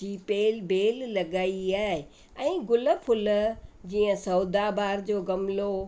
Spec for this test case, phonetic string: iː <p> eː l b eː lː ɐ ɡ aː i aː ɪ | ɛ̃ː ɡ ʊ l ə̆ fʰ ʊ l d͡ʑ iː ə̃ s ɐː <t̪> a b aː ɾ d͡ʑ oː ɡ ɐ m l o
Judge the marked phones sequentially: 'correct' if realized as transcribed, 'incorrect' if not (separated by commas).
correct, incorrect